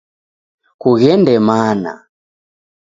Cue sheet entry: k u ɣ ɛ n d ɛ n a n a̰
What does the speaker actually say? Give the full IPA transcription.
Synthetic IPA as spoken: k u ɣ ɛ n d ɛ m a n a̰